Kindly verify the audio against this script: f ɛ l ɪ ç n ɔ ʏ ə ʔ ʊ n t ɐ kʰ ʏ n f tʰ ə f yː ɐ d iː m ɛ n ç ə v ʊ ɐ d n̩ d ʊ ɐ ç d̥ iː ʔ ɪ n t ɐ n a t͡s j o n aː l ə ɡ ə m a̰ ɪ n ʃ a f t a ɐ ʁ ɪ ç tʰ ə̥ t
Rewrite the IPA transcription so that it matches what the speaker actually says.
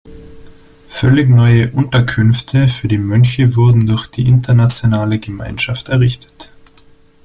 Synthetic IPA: f œ l ɪ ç n ɔ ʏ ə ʔ ʊ n t ɐ kʰ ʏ n f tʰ ə f yː ɐ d iː m œ n ç ə v ʊ ɐ d n̩ d ʊ ɐ ç d̥ iː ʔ ɪ n t ɐ n a t͡s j o n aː l ə ɡ ə m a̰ ɪ n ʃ a f t ɛ ɐ ʁ ɪ ç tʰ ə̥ t